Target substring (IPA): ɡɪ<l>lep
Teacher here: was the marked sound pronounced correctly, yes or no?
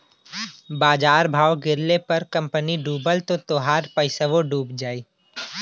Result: no